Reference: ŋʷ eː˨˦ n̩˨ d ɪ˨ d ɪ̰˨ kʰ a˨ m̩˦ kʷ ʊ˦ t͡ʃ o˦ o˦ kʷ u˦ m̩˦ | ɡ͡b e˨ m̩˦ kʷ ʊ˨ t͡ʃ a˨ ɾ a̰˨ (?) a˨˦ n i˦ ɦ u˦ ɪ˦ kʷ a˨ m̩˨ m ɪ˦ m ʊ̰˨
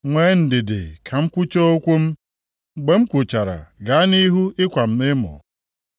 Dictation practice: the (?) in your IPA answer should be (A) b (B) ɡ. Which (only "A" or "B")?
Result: B